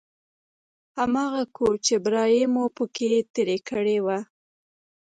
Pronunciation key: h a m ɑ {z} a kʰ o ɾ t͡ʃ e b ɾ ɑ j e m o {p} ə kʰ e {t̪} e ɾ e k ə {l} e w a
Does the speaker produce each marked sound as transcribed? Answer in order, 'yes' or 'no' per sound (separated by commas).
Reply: no, yes, yes, no